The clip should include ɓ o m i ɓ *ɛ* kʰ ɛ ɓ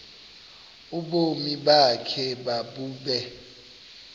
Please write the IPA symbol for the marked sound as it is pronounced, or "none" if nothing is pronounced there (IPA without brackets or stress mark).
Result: a